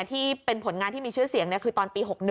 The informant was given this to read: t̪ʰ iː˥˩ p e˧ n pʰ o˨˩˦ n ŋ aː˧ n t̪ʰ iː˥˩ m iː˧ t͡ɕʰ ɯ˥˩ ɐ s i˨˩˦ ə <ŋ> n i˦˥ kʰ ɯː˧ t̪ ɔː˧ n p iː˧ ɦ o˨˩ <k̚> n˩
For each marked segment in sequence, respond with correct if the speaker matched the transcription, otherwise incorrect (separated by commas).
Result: correct, correct